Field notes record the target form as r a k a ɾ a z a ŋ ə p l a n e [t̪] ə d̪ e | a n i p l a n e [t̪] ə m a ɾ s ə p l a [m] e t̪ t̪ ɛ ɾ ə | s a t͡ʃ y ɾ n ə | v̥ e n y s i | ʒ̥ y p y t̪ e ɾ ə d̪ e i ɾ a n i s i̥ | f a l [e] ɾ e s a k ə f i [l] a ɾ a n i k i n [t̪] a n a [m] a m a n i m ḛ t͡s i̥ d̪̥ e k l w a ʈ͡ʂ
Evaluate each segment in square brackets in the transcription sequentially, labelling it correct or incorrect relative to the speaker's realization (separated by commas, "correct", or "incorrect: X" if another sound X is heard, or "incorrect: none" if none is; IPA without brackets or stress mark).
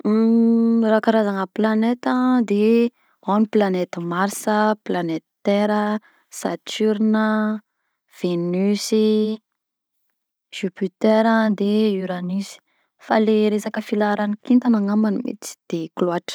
correct, correct, incorrect: n, correct, correct, correct, incorrect: ŋ